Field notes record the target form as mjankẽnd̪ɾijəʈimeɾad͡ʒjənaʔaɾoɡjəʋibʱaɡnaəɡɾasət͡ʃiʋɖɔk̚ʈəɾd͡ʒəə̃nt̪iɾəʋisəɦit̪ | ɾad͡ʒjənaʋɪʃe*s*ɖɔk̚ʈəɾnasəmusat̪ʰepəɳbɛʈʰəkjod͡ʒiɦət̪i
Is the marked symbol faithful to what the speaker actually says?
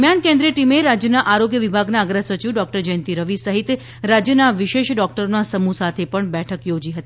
no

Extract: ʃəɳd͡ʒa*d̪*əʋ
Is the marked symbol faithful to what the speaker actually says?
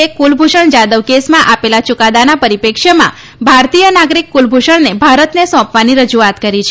yes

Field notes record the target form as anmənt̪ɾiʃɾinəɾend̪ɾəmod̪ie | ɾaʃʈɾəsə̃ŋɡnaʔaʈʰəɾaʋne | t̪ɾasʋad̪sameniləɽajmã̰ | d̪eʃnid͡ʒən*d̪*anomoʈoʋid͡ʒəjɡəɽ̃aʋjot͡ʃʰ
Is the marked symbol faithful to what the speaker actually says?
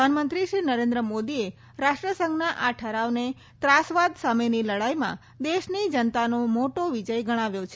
no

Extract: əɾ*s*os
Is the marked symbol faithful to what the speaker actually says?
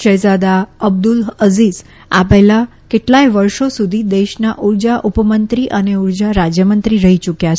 no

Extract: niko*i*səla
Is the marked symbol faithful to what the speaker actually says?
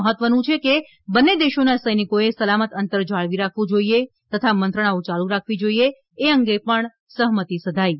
no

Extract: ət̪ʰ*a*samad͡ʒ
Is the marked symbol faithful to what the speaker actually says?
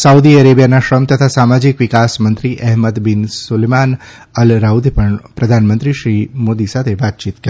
yes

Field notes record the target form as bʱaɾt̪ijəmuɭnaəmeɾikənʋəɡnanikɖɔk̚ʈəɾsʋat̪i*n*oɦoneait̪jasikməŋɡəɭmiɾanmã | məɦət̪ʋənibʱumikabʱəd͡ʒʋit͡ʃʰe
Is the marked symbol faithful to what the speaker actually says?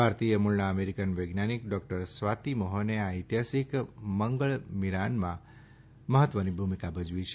no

